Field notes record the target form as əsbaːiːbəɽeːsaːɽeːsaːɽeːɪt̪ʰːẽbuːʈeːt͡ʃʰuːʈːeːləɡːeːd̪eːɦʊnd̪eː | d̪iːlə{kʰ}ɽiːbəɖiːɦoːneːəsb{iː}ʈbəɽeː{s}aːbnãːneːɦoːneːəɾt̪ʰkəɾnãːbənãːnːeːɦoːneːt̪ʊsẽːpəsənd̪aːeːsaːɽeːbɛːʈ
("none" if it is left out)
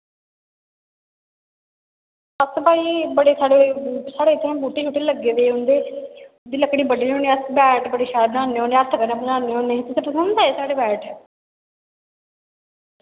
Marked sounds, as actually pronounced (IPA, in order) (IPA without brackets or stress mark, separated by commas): k, ɛː, ʃ